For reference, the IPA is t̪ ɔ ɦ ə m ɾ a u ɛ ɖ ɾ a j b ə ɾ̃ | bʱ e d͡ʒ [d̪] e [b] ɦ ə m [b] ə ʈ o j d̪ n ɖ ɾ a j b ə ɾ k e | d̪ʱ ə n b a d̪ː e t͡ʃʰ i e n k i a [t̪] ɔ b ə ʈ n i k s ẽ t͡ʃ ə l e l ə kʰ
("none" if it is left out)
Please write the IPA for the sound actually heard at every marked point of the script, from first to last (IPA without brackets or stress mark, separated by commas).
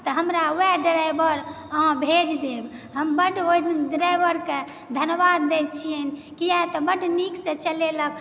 d̪, b, b, t̪